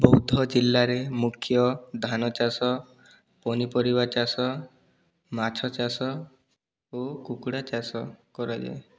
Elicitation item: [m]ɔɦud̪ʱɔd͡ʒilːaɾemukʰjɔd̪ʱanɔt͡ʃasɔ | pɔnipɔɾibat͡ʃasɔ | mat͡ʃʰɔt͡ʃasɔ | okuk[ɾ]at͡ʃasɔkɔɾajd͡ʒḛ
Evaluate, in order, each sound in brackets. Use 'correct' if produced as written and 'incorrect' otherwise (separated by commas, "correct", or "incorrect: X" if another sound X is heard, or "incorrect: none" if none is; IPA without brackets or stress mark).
incorrect: b, incorrect: ɽ